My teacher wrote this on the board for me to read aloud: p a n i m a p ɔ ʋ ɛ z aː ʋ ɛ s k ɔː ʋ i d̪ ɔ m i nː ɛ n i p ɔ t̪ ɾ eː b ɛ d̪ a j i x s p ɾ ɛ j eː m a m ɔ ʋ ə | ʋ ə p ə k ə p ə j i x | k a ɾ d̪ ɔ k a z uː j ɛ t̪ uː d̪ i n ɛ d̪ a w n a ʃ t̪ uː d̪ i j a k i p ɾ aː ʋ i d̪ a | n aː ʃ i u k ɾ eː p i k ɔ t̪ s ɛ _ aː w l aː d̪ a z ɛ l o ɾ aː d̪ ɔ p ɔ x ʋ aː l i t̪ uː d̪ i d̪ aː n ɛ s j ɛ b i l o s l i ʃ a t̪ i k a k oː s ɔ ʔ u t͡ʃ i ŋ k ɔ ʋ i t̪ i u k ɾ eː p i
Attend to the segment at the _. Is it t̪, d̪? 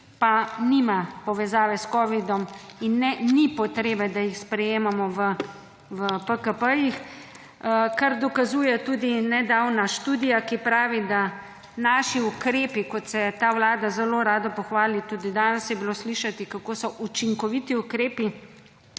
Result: t̪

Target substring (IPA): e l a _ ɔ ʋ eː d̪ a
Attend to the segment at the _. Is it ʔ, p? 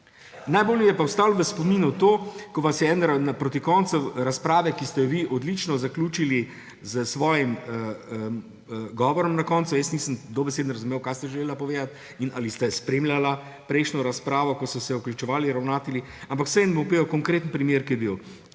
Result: p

